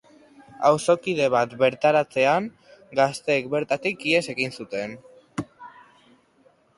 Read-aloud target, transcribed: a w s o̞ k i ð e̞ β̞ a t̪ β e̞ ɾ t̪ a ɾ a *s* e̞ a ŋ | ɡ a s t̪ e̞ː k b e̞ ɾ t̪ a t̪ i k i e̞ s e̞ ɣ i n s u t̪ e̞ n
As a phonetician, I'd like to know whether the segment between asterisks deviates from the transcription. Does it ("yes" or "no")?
yes